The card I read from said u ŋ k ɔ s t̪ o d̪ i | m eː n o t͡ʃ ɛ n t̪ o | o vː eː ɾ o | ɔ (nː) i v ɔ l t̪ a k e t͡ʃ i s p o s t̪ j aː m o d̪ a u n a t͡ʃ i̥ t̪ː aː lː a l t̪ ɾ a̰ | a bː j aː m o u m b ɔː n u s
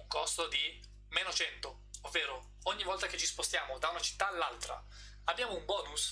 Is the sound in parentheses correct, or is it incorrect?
incorrect